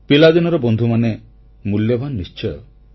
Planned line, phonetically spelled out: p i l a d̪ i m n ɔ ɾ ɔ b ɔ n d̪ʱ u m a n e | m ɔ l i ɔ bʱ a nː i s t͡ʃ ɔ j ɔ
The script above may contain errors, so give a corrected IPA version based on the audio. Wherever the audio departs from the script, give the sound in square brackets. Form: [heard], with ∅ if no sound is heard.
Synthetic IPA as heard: p i l a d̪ i [∅] n ɔ ɾ ɔ b ɔ n d̪ʱ u m a n e | m [u] l [j] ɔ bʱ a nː i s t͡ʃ ɔ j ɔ